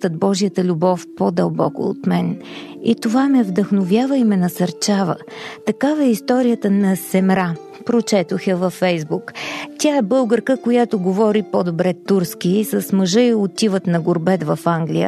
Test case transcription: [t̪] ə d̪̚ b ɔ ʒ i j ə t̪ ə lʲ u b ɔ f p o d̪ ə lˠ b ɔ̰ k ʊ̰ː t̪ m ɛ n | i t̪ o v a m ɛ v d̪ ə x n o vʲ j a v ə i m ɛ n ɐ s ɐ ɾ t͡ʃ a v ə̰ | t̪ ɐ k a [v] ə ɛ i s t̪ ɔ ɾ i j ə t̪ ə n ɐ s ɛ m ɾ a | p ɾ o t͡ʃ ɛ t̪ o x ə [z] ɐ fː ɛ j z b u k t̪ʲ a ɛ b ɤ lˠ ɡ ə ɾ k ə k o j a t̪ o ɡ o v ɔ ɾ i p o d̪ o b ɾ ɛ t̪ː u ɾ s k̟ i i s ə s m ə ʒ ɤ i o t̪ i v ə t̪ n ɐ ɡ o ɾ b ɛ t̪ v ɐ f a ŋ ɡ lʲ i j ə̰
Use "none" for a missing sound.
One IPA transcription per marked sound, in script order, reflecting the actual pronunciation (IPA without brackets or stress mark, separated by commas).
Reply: t̪, v, v